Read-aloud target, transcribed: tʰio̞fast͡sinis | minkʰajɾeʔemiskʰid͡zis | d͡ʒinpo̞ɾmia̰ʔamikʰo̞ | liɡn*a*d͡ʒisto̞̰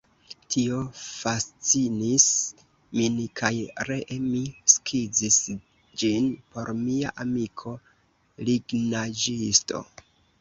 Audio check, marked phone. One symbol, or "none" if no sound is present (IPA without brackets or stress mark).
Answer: a